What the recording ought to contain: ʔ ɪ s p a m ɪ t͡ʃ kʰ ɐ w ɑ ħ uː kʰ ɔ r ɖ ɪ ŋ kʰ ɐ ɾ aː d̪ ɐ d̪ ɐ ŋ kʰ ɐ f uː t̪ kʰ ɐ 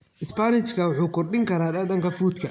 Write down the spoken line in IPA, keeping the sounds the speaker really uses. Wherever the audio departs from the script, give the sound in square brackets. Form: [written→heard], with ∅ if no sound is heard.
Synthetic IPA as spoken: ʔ ɪ s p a [m→n] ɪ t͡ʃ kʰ ɐ w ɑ ħ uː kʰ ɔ r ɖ ɪ ŋ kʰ ɐ ɾ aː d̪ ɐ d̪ ɐ ŋ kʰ ɐ f uː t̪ kʰ ɐ

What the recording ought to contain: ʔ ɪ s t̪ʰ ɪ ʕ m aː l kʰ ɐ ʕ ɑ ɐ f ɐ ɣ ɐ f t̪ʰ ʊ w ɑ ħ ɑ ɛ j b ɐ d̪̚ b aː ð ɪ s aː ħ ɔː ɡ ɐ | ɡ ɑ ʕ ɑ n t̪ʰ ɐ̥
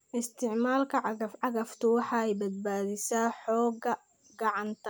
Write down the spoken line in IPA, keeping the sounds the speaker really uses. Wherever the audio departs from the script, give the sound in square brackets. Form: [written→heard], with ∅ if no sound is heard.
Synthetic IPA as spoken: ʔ ɪ s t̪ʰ ɪ ʕ m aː l kʰ ɐ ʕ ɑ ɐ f [ɐ→ɑ] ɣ ɐ f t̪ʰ ʊ w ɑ ħ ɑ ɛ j b ɐ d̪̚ b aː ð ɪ s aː ħ ɔː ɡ ɐ | ɡ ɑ ʕ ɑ n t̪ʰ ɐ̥

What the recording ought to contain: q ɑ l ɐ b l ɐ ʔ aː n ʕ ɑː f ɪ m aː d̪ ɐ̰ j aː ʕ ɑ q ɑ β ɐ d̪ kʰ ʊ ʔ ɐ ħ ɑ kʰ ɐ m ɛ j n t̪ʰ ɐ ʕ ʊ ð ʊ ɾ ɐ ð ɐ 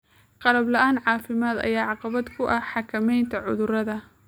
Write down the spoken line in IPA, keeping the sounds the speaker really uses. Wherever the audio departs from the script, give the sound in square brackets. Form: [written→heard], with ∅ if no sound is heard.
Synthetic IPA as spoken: q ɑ l ɐ b l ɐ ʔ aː n ʕ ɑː f ɪ m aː d̪ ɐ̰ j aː ʕ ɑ q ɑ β ɐ d̪ kʰ ʊ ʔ ɐ ħ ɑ kʰ ɐ m ɛ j n t̪ʰ ɐ ʕ ʊ ð ʊ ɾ ɐ ð ɐ

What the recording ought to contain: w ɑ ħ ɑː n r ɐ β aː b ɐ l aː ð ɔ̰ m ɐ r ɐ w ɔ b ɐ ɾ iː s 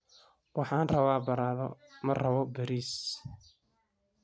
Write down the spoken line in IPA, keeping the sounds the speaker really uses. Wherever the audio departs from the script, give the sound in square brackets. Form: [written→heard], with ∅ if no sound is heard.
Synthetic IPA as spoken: w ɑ ħ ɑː n r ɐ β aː b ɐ [l→ɾ] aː ð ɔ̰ m ɐ r ɐ [w→β] ɔ b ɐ ɾ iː s

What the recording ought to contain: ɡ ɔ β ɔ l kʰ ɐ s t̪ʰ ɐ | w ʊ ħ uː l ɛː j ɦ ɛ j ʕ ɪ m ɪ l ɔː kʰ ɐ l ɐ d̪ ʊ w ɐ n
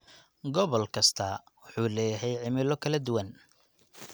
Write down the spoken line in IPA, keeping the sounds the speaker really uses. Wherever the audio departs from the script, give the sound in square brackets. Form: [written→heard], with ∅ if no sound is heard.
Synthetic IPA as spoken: ɡ ɔ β ɔ l kʰ ɐ s t̪ʰ ɐ | w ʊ ħ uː l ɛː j ɦ ɛ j ʕ ɪ m ɪ l [ɔː→ɔ] kʰ ɐ l ɐ d̪ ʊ w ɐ n

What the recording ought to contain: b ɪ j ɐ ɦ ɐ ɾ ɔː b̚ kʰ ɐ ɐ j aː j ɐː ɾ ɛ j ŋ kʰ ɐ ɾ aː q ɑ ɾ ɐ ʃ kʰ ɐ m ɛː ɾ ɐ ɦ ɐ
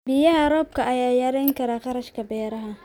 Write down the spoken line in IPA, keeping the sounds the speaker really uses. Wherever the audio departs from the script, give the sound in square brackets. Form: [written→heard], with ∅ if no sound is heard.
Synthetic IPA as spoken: b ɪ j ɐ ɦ ɐ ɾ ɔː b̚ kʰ ɐ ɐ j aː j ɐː ɾ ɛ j ŋ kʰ ɐ ɾ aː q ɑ ɾ ɐ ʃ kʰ ɐ [m→b] ɛː ɾ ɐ ɦ ɐ

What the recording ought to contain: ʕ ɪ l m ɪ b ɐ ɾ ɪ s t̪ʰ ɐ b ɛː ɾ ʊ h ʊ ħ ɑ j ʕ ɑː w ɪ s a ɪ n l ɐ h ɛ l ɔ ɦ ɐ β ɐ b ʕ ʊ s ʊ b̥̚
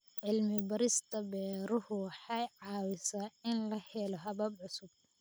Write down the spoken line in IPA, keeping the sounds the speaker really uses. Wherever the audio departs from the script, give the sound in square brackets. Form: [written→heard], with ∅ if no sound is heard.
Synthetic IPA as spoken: ʕ ɪ l m ɪ b ɐ ɾ ɪ s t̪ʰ ɐ b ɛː ɾ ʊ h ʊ ħ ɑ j ʕ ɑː w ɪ s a ɪ n l ɐ h ɛ l ɔ ɦ ɐ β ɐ b ʕ ʊ s ʊ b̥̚

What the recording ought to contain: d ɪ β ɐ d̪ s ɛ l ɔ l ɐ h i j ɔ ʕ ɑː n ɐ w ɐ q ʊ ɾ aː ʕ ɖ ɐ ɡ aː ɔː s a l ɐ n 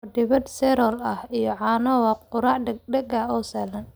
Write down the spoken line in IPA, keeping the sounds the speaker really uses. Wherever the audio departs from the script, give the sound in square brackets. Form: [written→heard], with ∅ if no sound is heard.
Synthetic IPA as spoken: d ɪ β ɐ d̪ s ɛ [l→ɾ] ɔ l ɐ h i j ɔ ʕ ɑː n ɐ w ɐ q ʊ ɾ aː ʕ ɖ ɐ ɡ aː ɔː s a l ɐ n

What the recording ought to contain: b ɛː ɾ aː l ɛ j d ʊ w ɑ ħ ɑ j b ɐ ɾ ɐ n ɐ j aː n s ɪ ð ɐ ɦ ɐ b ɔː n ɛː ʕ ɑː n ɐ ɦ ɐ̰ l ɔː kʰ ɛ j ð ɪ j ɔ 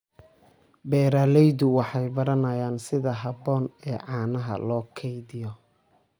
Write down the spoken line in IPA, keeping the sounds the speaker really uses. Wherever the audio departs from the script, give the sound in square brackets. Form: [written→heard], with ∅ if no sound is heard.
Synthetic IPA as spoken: b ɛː ɾ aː l ɛ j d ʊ w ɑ ħ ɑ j b ɐ ɾ ɐ n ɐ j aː n s ɪ ð ɐ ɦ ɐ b ɔː n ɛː ʕ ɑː n ɐ ɦ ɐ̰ l ɔː kʰ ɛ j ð ɪ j ɔ

